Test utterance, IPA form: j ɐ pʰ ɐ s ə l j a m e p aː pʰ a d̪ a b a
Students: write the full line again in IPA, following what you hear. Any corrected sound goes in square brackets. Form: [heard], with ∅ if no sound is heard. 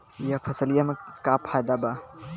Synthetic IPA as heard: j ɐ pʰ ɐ s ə l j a m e [k] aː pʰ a d̪ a b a